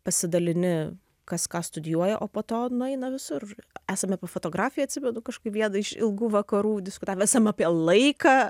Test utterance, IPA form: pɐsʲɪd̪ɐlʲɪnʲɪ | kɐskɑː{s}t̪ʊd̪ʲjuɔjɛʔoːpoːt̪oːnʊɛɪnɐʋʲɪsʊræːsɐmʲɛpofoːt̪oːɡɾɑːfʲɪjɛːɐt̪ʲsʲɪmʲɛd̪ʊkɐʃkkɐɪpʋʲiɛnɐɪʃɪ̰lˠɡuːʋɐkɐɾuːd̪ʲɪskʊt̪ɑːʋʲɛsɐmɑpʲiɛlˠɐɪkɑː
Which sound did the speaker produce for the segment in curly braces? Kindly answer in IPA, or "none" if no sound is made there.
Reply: s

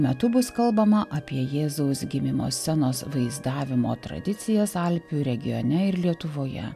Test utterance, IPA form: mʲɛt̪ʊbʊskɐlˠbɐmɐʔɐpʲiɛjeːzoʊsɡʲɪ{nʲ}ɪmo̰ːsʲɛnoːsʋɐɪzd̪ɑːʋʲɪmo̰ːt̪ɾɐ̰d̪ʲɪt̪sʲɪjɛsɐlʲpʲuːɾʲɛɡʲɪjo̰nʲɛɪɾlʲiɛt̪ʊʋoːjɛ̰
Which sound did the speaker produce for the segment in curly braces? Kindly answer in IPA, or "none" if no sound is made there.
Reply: mʲ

